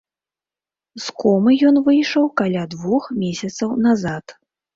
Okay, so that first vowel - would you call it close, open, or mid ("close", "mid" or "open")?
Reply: mid